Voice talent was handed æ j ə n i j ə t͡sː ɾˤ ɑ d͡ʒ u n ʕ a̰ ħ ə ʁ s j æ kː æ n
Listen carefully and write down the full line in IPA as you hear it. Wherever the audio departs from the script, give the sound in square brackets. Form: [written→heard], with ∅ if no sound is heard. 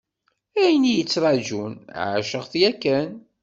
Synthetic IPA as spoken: æ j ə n i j ə t͡sː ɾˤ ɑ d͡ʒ u n ʕ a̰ [ħ→ʃ] ə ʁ [s→θ] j æ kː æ n